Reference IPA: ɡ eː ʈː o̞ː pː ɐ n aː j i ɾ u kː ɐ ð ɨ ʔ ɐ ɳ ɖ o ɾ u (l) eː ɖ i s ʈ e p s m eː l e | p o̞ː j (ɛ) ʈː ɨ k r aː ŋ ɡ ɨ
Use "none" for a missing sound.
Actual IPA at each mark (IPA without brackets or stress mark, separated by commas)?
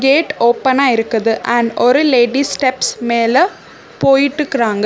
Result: l, i